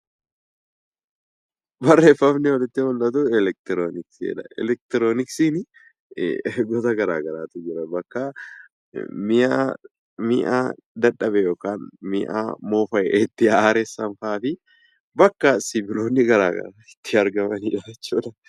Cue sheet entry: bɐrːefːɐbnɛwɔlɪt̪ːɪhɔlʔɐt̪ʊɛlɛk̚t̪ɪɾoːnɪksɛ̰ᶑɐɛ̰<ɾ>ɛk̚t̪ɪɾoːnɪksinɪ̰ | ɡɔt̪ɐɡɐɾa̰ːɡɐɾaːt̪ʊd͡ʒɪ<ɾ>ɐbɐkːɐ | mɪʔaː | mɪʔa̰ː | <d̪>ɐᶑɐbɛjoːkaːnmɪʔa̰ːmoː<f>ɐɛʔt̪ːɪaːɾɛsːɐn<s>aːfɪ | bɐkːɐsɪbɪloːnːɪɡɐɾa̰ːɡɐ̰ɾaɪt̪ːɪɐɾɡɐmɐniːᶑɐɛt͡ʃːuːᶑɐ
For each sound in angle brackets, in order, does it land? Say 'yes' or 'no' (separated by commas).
no, yes, yes, yes, no